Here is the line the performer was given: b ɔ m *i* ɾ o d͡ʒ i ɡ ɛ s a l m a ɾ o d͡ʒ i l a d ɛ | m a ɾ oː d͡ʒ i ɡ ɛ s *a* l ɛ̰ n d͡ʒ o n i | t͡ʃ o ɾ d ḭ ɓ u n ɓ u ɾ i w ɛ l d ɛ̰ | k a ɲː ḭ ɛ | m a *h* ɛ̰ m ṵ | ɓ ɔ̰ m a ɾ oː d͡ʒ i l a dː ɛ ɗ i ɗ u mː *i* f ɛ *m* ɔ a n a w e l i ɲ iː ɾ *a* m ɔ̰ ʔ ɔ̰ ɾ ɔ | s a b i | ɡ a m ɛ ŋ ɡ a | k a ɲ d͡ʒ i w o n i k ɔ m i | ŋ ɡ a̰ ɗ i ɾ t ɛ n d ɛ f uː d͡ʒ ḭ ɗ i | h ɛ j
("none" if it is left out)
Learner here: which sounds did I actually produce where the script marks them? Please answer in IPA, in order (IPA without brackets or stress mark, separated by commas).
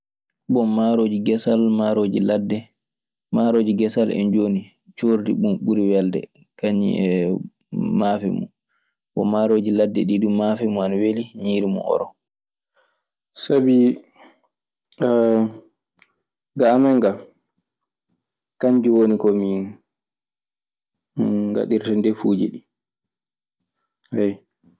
a, a, f, a, m, i